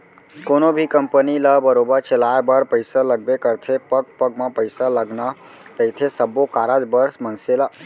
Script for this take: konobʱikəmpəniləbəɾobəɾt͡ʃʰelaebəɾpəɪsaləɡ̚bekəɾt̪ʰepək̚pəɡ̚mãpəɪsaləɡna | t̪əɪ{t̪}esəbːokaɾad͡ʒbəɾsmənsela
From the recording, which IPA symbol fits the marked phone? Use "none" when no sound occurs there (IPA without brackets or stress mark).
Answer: t̪ʰ